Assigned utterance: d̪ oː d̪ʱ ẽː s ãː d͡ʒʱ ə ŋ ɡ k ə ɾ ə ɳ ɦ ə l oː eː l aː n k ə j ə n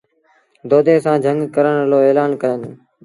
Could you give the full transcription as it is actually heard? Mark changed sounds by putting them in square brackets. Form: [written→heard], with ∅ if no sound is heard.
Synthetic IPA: d̪ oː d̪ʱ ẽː s ãː d͡ʒʱ ə ŋ ɡ k ə ɾ ə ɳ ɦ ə l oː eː l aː n k ə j ə n